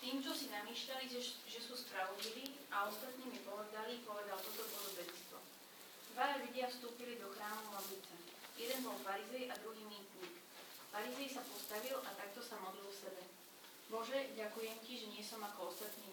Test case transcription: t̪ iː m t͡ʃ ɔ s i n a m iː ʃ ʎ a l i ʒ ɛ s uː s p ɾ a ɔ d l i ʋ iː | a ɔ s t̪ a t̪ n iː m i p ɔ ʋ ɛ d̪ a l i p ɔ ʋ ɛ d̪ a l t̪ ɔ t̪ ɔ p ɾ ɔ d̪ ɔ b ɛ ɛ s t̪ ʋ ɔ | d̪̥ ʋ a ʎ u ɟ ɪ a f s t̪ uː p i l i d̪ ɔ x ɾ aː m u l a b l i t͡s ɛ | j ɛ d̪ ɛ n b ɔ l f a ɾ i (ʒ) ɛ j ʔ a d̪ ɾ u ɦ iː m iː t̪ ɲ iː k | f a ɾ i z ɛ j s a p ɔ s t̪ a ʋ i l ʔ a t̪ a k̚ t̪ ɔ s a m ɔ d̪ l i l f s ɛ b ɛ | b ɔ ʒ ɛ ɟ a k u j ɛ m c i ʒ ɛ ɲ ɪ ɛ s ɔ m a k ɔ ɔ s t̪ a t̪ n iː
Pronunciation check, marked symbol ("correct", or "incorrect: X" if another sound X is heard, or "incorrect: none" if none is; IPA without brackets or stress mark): incorrect: z